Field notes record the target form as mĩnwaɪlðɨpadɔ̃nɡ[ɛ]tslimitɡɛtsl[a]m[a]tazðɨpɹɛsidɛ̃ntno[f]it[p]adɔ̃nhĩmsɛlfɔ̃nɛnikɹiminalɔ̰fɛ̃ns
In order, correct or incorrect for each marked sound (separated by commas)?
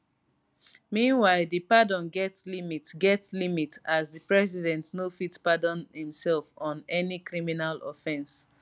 correct, incorrect, incorrect, correct, correct